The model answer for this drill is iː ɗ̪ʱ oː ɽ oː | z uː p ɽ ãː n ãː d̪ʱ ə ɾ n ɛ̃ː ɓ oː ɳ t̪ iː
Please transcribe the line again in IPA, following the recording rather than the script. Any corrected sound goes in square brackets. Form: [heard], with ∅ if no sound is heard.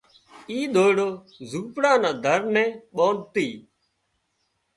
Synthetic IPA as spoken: iː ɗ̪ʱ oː ɽ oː | z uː p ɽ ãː n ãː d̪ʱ ə ɾ n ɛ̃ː ɓ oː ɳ t̪ iː